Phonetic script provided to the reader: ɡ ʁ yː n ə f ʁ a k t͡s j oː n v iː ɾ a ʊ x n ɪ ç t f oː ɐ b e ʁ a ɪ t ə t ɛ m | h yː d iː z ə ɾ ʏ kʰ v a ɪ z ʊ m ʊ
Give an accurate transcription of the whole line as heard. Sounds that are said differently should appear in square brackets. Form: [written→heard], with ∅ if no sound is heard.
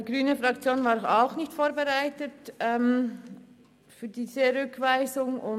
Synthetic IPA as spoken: ɡ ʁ yː n ə f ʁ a k t͡s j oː n v [iː→aː] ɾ a ʊ x n ɪ ç t f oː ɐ b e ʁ a ɪ t ə t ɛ m | [h→f] yː d iː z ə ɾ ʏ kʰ v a ɪ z ʊ [m→ŋ] ʊ